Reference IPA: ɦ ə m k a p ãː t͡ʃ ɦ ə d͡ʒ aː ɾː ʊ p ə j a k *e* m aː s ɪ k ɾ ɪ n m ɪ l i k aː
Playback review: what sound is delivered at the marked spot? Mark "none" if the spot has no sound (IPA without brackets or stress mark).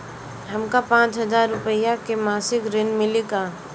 e